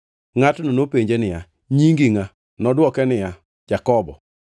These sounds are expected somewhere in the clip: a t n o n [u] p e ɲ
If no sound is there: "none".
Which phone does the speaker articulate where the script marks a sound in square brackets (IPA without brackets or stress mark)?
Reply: o